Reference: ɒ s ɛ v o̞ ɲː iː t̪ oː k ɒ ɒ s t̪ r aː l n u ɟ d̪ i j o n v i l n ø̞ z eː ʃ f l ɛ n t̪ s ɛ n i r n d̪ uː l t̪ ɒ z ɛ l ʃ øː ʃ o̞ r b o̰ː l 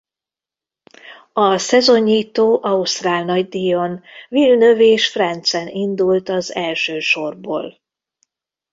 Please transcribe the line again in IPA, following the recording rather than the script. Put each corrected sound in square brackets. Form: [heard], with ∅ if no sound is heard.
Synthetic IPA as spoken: ɒ s ɛ [z] o̞ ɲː iː t̪ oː [ʔ] ɒ [u] s t̪ r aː l n [ɒ] ɟ d̪ i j o n v i l n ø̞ [v] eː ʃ f [r] ɛ n t̪ s ɛ n i [∅] n d̪ [u] l t̪ ɒ z ɛ l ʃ øː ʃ o̞ r b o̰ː l